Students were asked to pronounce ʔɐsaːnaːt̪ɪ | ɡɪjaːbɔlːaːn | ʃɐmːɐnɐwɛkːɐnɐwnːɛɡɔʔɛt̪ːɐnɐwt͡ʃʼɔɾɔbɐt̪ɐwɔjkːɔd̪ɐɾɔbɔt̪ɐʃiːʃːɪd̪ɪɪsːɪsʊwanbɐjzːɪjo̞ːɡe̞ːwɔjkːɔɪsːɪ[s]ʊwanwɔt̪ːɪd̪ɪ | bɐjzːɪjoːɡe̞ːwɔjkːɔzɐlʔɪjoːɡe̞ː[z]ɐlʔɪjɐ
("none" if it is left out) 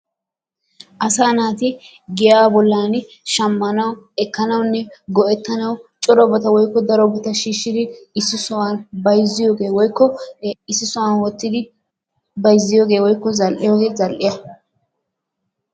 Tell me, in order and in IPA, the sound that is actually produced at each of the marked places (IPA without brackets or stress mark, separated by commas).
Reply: s, z